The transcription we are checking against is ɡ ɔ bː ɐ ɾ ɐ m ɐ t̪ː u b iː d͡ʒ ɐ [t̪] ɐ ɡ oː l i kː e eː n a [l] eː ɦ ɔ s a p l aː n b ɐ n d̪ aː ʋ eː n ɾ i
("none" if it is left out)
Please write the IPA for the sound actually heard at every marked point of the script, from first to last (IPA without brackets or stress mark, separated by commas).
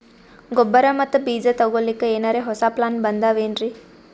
t̪, ɾ